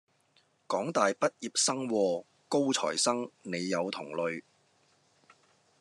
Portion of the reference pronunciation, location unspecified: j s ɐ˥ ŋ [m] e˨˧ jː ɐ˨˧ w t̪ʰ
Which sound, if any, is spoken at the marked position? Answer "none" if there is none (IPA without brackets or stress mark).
n